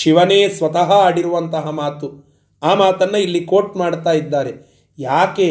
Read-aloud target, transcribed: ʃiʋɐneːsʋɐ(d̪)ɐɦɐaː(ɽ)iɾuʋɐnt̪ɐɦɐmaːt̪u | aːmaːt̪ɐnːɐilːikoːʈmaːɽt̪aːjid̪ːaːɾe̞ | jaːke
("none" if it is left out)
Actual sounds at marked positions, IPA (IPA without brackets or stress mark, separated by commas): t̪, ɽ